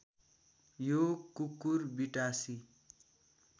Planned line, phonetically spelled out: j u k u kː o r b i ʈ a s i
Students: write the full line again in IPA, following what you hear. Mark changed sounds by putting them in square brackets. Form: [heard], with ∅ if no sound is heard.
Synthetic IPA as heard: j [o] k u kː [u] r b i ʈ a s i